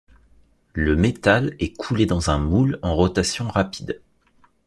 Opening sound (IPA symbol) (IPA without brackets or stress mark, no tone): l